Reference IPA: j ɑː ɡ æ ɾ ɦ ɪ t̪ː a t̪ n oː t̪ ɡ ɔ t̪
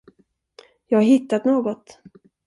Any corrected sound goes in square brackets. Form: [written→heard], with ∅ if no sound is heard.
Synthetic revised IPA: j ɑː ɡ [æ→a] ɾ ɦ ɪ t̪ː a t̪ n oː [t̪→∅] ɡ ɔ t̪